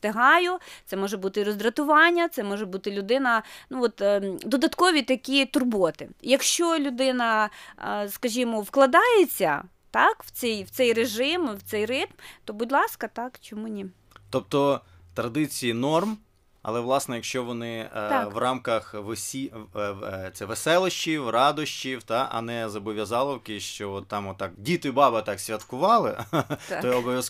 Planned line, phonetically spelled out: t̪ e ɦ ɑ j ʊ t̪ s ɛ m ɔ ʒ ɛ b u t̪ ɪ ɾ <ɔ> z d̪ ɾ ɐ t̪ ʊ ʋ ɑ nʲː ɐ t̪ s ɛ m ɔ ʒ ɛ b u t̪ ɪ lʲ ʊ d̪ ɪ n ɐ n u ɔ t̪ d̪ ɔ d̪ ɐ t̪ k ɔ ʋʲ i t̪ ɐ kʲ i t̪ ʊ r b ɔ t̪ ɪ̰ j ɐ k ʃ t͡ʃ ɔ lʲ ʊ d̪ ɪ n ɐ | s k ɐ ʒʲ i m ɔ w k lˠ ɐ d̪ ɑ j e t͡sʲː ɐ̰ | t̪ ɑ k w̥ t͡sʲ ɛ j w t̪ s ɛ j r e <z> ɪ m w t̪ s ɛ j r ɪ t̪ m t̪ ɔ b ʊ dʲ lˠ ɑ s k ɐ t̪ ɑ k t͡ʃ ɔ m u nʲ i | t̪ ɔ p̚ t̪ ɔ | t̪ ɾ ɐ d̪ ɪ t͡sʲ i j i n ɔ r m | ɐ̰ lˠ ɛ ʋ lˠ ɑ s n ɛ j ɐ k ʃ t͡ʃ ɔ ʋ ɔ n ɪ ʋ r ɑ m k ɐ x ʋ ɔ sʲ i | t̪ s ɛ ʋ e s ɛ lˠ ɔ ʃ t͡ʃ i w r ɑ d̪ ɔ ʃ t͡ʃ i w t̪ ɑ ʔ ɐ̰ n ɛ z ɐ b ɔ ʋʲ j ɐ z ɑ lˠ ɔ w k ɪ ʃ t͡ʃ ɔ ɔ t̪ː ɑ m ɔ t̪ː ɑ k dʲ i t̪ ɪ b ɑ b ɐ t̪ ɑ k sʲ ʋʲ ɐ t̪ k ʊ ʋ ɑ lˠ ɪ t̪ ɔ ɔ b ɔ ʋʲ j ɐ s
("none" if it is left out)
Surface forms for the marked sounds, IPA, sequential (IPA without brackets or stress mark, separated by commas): ɔ, ʒ